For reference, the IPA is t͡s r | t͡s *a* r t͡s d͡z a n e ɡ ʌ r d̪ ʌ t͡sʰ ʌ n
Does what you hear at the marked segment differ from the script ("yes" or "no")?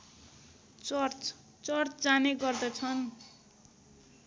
yes